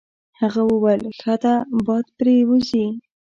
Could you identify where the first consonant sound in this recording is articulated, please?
glottal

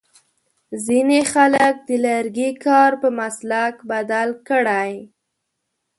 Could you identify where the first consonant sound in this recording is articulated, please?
alveolar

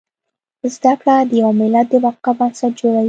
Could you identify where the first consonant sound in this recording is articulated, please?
alveolar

